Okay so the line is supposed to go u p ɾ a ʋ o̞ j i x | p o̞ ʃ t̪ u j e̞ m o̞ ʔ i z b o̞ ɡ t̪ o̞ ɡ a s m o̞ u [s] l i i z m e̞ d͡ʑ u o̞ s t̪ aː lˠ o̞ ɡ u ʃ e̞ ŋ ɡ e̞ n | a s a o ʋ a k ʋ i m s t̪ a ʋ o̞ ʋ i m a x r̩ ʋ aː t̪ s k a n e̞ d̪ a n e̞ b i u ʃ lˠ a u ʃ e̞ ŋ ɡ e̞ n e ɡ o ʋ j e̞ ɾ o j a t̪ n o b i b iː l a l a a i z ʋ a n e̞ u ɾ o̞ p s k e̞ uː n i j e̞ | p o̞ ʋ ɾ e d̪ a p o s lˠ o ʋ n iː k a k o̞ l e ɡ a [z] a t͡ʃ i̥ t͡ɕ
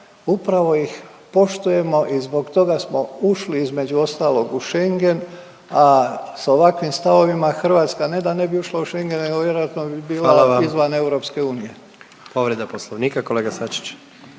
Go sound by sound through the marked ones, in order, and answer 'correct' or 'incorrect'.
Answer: incorrect: ʃ, incorrect: s

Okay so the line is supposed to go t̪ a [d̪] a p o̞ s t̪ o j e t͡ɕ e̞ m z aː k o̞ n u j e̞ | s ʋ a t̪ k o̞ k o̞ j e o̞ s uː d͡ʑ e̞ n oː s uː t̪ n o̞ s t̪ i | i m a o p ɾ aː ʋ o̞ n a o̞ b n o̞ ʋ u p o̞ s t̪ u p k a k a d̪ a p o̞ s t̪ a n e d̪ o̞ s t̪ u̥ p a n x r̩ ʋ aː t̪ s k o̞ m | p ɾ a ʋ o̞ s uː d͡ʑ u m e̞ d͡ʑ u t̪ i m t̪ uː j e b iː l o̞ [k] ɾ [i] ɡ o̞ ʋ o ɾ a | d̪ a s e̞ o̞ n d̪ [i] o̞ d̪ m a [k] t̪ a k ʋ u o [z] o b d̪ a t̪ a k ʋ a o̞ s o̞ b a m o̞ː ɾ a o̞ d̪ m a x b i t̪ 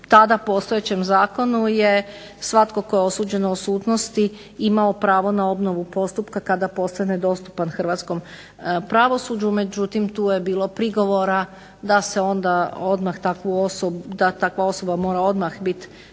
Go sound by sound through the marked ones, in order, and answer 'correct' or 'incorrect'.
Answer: correct, incorrect: p, correct, incorrect: a, incorrect: x, incorrect: s

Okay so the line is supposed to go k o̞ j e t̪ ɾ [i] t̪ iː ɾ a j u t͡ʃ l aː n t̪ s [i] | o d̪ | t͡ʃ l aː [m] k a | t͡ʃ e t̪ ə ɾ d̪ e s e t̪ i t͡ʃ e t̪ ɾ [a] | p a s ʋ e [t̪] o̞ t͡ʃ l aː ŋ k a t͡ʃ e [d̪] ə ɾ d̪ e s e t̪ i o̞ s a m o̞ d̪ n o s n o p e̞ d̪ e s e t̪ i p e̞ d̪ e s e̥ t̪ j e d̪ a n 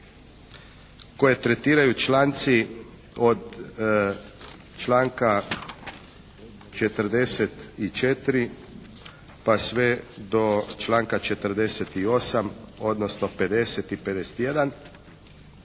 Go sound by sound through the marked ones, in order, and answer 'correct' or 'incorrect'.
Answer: incorrect: e, correct, incorrect: ŋ, incorrect: i, incorrect: d̪, incorrect: t̪

